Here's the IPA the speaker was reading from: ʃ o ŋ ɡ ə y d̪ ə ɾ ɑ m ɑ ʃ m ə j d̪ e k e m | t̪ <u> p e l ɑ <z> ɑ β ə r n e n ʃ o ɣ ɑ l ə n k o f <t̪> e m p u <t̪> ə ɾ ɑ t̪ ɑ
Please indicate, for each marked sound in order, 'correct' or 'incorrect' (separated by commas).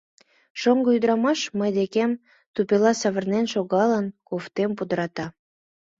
correct, incorrect, correct, incorrect